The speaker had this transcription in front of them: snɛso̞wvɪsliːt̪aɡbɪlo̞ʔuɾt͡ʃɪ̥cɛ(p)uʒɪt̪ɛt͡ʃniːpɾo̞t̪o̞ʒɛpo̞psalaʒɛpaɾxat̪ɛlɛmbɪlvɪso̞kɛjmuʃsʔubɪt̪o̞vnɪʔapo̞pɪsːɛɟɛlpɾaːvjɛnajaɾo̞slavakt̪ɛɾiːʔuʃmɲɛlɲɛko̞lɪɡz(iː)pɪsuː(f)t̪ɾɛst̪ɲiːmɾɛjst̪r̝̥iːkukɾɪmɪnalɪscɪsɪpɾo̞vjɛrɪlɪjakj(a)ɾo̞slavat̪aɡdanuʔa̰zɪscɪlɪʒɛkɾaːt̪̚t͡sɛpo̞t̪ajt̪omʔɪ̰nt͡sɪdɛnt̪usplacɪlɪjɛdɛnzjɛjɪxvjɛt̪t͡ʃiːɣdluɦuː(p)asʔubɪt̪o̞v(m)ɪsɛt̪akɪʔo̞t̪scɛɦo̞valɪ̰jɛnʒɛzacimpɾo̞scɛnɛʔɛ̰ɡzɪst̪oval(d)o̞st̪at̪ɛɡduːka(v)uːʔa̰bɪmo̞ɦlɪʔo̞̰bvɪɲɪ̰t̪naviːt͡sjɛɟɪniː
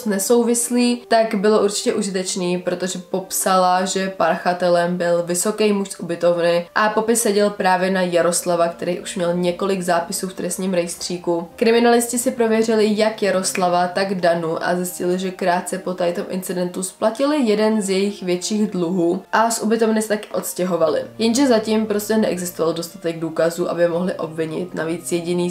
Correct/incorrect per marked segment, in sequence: incorrect: ʔ, incorrect: aː, correct, correct, incorrect: ʔ, incorrect: n, correct, incorrect: z

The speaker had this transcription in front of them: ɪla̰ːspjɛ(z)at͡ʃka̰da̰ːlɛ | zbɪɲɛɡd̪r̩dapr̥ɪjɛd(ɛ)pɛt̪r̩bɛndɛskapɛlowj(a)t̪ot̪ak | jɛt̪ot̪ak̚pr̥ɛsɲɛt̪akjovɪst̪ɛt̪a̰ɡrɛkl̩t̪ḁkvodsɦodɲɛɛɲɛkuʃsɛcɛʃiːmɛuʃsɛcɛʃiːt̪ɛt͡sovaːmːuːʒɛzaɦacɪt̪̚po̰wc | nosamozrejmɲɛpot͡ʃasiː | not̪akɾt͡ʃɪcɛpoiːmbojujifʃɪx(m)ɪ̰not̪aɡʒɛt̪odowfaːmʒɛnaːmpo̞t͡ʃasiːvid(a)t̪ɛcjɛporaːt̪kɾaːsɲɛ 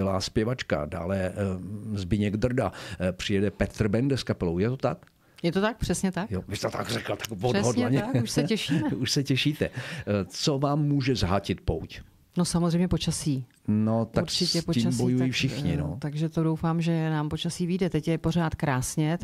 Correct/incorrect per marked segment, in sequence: incorrect: v, correct, incorrect: ɛ, incorrect: ɲ, incorrect: ɛ

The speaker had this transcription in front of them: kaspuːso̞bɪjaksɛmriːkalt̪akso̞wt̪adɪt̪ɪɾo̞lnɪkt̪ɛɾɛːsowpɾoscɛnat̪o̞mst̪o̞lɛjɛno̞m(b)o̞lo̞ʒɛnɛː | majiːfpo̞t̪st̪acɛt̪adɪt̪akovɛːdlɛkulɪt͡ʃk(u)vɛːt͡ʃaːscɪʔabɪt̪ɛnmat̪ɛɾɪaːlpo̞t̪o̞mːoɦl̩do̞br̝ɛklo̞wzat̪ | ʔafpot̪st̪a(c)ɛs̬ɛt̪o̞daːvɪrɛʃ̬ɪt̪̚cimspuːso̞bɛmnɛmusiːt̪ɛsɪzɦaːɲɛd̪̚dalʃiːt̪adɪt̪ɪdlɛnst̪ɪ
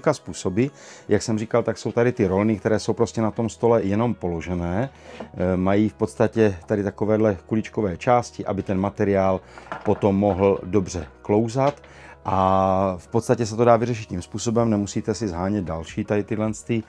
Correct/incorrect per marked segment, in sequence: incorrect: p, incorrect: o, correct

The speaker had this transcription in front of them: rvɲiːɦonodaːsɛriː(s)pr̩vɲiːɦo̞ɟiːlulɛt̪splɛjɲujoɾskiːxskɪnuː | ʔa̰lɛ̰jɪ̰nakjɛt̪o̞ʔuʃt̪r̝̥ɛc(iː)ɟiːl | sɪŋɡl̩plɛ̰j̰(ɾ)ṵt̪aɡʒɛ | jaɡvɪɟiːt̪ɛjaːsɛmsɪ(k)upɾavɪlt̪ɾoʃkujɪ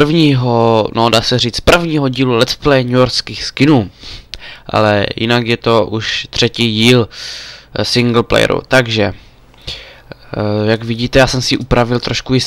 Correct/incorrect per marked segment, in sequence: incorrect: t͡s, correct, correct, incorrect: ʔ

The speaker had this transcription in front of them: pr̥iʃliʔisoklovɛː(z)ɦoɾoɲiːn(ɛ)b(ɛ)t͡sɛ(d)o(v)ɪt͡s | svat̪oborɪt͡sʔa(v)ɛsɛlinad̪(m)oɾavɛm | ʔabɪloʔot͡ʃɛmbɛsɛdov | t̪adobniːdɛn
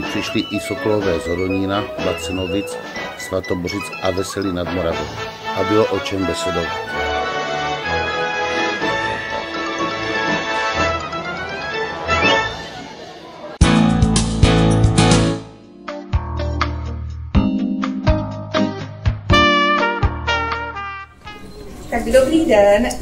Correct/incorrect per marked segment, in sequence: correct, incorrect: a, incorrect: a, incorrect: n, correct, correct, correct

